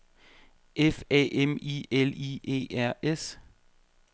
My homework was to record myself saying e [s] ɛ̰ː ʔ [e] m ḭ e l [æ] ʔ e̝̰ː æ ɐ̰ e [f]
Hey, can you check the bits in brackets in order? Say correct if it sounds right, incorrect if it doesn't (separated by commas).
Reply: incorrect, correct, incorrect, incorrect